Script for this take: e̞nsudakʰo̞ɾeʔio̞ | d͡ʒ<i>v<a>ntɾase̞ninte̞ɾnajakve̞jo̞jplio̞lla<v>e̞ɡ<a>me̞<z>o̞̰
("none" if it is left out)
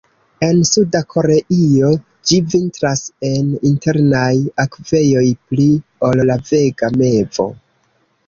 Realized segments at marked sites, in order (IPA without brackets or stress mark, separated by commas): i, i, v, a, v